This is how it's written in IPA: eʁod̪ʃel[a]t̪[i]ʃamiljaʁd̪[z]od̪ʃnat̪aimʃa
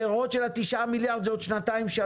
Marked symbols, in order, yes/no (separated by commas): yes, yes, yes